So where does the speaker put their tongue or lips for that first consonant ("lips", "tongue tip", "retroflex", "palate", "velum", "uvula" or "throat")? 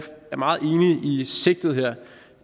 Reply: lips